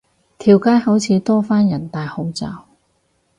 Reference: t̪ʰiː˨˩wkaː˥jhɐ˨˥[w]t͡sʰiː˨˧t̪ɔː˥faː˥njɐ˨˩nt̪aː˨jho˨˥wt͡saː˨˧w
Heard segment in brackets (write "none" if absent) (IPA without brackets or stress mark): w